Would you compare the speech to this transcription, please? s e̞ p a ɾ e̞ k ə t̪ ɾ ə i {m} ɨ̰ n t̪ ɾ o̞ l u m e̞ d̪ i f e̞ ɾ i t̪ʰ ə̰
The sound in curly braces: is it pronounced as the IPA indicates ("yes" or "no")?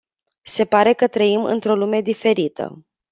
yes